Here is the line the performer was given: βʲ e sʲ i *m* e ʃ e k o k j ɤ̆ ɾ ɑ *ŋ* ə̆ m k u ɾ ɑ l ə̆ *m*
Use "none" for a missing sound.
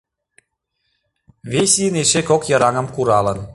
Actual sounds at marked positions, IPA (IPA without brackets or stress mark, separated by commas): n, ŋ, n